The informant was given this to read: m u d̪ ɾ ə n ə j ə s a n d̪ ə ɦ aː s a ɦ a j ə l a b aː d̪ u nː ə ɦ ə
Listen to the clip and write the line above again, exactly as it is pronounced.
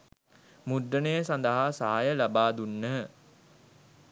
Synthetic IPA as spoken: m u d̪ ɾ ə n ə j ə s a n d̪ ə ɦ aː s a ɦ a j ə l a b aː d̪ u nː ə ɦ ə